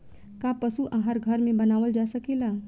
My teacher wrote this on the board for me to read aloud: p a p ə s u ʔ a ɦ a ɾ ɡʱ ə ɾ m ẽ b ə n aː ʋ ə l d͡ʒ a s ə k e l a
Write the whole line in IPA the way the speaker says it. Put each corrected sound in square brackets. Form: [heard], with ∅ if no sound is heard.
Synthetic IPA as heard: [k] a p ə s u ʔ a ɦ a ɾ ɡʱ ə ɾ m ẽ b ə n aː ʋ ə l d͡ʒ a s ə k e l a